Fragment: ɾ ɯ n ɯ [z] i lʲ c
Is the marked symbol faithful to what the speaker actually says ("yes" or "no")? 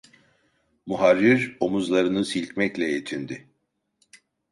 no